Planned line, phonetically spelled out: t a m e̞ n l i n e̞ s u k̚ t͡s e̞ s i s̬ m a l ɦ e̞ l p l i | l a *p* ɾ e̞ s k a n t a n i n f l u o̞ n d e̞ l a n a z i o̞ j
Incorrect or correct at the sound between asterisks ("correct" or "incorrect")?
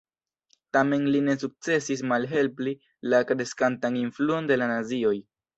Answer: incorrect